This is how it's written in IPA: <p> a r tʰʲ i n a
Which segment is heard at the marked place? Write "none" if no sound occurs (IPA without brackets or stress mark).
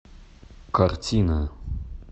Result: k